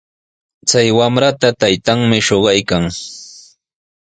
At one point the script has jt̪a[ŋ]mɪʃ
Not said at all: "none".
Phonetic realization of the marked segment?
ŋ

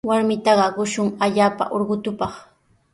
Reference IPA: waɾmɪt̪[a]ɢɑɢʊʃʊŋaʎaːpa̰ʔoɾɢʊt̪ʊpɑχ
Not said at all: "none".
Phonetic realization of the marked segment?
ɑ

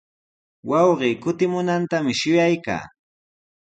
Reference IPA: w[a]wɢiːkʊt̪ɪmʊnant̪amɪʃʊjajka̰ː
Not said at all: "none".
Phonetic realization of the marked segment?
ɑ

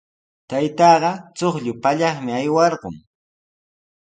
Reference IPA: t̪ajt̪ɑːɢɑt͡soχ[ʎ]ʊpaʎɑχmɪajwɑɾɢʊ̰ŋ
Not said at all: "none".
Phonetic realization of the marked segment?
ʎ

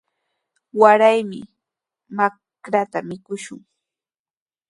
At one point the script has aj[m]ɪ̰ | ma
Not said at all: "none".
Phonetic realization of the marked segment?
m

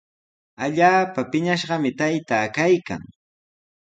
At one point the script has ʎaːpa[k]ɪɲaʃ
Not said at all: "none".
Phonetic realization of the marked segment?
p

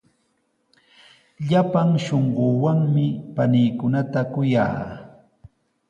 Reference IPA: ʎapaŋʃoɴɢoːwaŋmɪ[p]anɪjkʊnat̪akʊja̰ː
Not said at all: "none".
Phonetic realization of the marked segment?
p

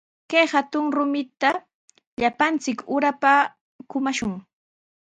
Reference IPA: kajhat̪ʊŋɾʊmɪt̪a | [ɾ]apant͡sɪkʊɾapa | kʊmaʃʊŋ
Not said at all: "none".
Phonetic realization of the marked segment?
ʎ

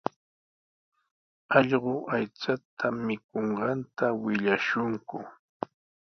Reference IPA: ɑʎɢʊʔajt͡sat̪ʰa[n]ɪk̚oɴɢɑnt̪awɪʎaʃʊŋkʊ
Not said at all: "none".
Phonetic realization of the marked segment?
m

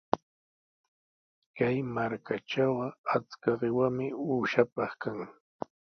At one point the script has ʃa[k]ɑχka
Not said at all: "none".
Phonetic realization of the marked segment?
p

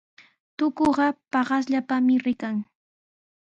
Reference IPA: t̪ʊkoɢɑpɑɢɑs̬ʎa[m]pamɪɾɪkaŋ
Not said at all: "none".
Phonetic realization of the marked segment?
none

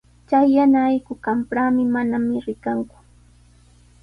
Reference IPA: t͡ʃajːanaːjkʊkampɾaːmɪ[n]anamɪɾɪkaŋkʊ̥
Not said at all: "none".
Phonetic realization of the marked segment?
m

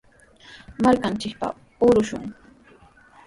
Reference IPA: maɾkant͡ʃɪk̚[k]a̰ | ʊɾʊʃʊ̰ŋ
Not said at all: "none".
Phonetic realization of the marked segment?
p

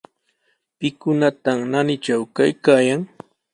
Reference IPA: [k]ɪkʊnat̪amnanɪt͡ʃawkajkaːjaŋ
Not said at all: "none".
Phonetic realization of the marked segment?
p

